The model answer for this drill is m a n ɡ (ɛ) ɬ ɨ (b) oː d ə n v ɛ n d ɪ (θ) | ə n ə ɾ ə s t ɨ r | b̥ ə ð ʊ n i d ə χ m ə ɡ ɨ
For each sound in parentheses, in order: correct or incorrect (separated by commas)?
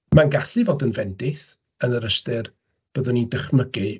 incorrect, incorrect, correct